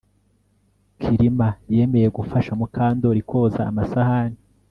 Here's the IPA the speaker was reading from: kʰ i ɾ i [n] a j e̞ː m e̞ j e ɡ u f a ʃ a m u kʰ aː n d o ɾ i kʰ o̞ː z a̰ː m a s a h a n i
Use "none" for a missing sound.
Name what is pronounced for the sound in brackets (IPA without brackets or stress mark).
m